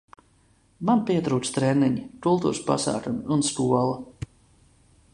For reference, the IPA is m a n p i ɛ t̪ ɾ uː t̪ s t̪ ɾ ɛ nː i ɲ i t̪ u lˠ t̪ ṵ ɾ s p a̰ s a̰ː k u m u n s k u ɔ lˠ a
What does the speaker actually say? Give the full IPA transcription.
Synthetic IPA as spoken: m a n p i ɛ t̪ ɾ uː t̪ s t̪ ɾ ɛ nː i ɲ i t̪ u lˠ t̪ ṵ ɾ s p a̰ s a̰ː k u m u n s k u ɔ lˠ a